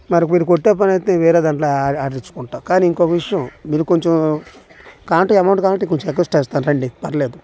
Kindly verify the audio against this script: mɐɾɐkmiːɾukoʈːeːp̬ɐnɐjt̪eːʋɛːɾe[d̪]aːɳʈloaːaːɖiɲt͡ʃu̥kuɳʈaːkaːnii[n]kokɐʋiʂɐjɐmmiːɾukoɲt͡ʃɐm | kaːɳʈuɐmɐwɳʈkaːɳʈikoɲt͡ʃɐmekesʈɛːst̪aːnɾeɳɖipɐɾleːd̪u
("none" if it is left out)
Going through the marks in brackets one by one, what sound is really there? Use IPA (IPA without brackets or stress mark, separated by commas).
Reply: d̪, ŋ